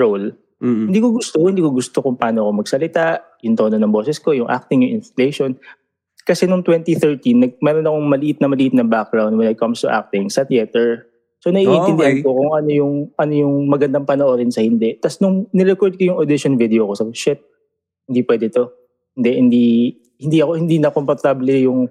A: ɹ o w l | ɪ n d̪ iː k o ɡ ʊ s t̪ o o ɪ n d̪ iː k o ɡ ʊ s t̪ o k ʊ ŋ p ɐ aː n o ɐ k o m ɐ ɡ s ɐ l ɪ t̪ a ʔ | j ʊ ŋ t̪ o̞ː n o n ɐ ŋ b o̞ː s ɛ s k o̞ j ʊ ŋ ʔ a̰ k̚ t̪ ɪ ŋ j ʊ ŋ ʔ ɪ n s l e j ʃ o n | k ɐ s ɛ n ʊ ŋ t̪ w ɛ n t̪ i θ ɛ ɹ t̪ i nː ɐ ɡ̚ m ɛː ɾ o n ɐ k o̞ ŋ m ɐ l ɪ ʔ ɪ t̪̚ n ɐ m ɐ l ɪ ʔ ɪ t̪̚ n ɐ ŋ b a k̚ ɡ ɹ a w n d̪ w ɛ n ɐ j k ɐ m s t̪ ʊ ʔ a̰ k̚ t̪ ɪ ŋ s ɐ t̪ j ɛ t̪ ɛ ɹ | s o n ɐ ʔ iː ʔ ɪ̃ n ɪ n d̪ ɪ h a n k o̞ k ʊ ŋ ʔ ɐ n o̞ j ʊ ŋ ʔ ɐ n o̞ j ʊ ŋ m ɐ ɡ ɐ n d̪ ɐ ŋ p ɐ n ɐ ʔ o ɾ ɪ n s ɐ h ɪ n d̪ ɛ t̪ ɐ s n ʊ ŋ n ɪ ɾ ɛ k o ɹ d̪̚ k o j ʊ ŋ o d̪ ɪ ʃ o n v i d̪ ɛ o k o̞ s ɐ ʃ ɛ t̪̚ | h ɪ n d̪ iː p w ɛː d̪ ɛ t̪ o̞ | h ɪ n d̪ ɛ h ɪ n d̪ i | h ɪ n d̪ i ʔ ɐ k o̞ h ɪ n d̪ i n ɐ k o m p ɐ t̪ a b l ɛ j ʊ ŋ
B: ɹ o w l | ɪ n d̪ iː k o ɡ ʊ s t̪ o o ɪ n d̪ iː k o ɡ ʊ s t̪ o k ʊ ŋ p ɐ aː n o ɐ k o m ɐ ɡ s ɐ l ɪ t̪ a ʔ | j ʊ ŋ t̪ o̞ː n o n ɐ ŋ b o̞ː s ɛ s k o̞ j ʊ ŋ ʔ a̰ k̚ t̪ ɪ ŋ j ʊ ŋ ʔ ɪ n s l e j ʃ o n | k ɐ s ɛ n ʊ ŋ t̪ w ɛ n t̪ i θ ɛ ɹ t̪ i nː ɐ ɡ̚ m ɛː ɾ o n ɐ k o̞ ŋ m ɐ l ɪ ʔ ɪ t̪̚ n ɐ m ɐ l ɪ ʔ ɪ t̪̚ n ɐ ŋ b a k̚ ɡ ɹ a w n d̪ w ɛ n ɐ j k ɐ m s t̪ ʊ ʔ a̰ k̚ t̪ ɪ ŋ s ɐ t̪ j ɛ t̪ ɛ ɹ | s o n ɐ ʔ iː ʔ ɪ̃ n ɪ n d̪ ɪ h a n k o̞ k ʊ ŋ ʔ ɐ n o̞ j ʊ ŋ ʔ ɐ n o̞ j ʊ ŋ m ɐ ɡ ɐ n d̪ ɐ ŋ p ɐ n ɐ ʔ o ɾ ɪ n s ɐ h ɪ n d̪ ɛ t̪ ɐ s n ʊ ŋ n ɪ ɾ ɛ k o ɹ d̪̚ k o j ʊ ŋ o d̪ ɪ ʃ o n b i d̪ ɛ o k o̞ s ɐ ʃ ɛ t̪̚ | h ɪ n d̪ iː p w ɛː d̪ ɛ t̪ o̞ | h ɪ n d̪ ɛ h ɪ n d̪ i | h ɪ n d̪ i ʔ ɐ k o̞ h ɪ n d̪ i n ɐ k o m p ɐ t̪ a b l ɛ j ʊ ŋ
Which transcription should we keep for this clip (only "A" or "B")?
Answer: A